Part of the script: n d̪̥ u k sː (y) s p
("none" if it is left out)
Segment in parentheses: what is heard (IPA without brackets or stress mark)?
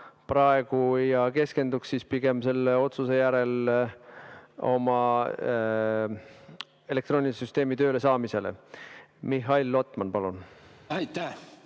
i